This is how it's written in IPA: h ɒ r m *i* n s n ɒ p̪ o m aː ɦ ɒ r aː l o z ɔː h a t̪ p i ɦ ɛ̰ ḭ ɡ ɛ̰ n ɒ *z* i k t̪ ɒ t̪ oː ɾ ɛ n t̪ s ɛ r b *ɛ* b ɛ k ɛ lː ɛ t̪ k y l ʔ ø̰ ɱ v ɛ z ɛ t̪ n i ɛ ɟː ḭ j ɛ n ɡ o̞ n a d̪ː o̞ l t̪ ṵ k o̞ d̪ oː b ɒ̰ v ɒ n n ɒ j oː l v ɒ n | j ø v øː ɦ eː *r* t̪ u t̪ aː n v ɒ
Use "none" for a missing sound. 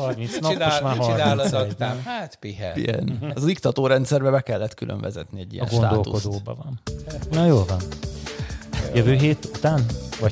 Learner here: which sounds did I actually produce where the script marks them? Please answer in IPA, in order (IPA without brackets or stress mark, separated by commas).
i, z, ɛ, none